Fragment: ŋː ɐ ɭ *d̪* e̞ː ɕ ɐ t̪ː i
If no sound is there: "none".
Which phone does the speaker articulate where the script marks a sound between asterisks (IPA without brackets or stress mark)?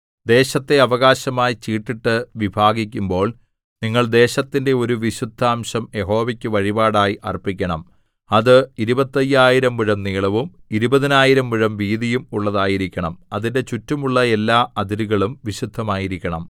d̪